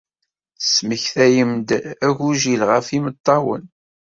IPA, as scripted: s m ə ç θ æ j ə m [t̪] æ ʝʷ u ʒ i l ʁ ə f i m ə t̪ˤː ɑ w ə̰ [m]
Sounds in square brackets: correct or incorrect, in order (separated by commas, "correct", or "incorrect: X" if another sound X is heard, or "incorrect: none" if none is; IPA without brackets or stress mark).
incorrect: d̪, incorrect: n